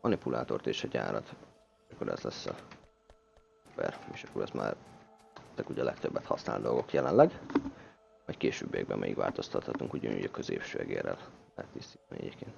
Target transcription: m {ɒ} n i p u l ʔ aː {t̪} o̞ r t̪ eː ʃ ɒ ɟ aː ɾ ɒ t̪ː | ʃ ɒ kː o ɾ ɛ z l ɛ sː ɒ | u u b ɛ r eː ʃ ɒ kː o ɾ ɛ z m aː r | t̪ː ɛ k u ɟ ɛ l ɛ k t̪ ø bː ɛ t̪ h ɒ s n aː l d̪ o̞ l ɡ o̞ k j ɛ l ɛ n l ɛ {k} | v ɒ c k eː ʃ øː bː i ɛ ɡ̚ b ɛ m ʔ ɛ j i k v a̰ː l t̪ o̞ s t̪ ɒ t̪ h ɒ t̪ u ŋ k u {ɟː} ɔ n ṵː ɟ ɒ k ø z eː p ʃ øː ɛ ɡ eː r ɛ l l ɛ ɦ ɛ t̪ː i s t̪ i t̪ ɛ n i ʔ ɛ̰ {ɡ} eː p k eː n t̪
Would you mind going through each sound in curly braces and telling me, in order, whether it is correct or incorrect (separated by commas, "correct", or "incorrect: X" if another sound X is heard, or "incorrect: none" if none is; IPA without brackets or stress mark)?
correct, correct, incorrect: ɡ, incorrect: ɟ, incorrect: ɟ